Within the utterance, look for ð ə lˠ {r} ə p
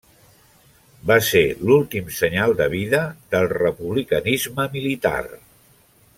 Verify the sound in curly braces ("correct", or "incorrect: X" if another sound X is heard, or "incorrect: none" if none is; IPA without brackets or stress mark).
correct